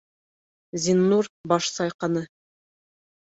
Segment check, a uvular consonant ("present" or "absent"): present